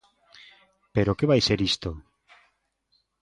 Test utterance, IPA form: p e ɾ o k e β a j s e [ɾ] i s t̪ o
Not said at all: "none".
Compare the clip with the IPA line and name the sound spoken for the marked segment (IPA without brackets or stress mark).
ɾ